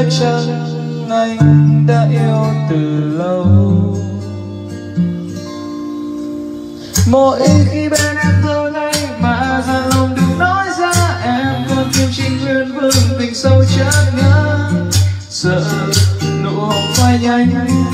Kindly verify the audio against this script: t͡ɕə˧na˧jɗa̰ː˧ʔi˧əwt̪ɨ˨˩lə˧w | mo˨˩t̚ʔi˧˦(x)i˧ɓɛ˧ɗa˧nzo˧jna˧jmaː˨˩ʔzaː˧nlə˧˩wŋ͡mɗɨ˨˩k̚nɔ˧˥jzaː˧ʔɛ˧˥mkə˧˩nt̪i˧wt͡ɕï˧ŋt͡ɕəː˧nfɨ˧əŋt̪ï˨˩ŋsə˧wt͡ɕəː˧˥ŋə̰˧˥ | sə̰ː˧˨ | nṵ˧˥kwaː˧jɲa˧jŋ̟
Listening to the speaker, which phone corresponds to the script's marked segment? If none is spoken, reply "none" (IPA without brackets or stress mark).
x